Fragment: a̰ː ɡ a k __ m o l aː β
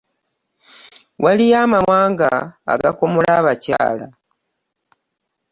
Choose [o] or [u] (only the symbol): o